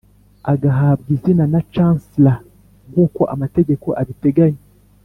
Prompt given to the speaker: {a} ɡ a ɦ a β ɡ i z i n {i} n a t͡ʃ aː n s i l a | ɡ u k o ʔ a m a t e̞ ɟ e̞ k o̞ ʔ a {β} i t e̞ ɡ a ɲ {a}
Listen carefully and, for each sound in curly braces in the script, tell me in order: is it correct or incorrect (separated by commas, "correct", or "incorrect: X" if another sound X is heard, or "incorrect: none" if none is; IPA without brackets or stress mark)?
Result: correct, incorrect: a, correct, incorrect: e